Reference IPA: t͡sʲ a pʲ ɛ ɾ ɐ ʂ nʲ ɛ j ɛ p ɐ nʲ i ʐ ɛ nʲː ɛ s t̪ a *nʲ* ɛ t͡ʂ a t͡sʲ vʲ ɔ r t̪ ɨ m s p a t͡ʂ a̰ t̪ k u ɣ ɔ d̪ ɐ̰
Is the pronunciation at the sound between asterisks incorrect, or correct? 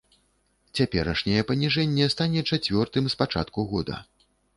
correct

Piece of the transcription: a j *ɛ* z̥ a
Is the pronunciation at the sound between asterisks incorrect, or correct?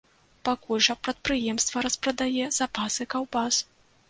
correct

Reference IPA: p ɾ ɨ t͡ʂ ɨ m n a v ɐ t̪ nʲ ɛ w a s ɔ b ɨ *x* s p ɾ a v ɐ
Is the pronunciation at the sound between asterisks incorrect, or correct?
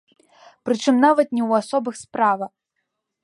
correct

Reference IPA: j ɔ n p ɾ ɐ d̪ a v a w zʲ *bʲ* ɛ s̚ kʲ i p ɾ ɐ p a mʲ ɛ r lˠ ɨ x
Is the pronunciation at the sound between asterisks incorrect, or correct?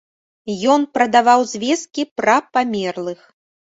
incorrect: vʲ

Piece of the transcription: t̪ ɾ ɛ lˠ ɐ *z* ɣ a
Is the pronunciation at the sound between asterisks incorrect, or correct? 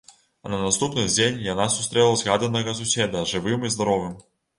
correct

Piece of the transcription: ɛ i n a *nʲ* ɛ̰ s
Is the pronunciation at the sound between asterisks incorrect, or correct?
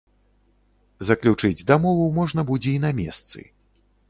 incorrect: mʲ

